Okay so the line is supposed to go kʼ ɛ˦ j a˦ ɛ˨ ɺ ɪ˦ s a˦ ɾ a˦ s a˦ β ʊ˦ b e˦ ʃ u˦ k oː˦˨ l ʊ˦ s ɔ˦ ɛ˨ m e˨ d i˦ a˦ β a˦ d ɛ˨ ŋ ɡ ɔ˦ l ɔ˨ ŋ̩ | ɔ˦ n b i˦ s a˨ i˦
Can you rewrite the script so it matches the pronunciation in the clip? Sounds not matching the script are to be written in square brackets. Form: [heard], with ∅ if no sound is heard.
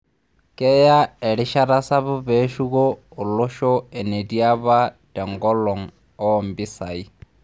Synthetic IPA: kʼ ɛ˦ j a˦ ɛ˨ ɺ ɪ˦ [ʃ] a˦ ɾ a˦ s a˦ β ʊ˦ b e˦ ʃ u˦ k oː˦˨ l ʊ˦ [ʃ] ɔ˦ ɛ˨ [n] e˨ d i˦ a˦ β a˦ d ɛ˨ ŋ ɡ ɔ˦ l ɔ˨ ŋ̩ | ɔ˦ [m] b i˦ s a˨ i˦

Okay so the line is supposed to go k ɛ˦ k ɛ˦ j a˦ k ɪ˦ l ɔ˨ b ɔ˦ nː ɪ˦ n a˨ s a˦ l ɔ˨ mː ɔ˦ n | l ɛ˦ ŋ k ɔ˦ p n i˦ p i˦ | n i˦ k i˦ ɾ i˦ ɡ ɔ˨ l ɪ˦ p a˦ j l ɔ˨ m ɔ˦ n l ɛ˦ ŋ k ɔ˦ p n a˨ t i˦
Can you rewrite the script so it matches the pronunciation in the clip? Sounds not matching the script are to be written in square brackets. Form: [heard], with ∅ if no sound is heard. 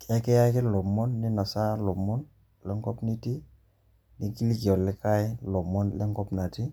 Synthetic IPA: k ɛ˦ k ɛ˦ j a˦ k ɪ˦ l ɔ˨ [m] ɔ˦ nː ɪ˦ n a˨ s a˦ l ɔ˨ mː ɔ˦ n | l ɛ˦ ŋ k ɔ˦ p n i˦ [t] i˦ | n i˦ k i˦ [l] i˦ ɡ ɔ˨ l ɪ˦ [k] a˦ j l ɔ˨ m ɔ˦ n l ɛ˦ ŋ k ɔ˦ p n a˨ t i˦

